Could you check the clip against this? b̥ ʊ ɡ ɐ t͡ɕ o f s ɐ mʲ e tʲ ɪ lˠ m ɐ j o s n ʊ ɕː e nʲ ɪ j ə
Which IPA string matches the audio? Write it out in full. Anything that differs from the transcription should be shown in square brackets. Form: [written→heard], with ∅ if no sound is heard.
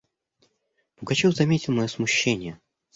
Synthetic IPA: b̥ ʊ ɡ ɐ t͡ɕ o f [s→z] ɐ mʲ e tʲ ɪ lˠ m ɐ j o s [n→m] ʊ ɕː e nʲ ɪ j ə